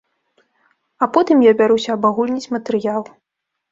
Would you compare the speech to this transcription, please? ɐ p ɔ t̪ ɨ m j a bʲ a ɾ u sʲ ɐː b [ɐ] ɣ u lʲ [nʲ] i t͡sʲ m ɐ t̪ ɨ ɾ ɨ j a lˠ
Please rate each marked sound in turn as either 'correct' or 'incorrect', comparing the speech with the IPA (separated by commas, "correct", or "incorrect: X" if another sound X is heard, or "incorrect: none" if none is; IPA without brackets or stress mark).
incorrect: a, correct